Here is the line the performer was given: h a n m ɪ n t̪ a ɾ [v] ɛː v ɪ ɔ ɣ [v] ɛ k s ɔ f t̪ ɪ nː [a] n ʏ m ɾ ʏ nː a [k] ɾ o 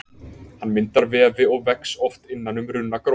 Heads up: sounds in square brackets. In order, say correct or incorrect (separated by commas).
correct, correct, correct, correct